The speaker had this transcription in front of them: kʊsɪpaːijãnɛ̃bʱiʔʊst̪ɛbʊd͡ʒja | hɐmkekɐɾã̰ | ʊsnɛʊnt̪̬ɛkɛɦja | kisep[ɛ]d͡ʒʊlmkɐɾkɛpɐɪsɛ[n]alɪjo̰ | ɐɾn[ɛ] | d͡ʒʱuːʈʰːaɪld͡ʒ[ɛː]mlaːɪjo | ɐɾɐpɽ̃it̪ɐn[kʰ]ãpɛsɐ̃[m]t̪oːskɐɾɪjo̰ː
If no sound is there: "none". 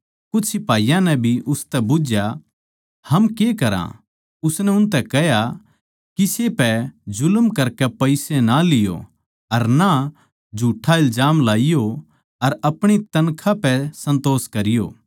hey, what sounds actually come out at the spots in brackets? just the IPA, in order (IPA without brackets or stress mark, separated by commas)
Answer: ɛ, n, a, aː, kʰ, n